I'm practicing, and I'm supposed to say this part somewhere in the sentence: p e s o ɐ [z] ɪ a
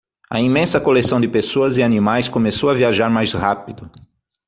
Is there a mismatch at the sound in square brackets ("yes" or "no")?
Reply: no